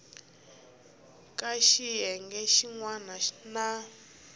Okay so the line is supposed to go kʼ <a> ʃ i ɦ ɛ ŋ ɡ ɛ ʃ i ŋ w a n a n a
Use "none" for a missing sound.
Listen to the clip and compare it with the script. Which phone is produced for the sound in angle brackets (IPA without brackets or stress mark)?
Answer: a